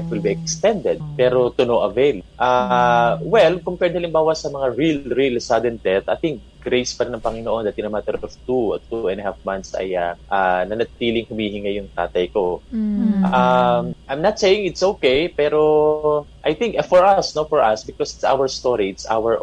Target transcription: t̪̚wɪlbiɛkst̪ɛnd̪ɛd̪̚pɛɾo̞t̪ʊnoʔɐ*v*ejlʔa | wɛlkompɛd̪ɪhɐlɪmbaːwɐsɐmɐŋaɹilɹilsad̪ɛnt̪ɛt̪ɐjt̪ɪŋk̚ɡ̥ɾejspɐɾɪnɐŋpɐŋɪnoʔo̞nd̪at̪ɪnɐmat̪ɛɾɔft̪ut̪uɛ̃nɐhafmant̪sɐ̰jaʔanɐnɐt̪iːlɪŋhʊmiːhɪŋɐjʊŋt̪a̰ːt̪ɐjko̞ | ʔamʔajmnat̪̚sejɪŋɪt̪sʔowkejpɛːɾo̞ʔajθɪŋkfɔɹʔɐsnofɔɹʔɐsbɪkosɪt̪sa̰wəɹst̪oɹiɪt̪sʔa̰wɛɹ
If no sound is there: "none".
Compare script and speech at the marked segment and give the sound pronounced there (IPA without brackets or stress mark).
v